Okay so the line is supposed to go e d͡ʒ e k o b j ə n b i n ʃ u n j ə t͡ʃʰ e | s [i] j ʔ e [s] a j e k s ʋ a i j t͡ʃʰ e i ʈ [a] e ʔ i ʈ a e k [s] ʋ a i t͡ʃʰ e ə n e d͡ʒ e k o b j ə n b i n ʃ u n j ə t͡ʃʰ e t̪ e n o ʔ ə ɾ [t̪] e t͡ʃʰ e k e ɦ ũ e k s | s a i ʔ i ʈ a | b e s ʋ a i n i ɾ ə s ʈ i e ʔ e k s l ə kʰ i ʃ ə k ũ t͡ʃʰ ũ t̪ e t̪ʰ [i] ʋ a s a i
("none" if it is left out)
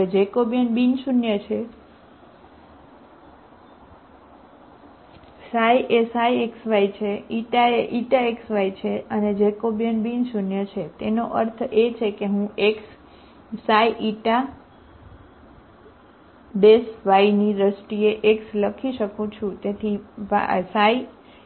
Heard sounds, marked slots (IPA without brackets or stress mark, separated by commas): a, s, a, s, t̪ʰ, i